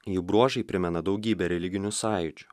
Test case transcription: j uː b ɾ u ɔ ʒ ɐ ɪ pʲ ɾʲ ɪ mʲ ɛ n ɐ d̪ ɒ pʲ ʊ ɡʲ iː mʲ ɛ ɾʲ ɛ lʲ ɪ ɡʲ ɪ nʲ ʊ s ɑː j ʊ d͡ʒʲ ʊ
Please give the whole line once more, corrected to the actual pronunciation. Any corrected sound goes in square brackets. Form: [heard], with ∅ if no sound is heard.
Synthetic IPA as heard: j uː b ɾ u ɔ ʒ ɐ ɪ pʲ ɾʲ ɪ mʲ ɛ n ɐ d̪ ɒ [∅] ʊ ɡʲ iː [bʲ] ɛ ɾʲ ɛ lʲ ɪ ɡʲ ɪ nʲ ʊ s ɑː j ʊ d͡ʒʲ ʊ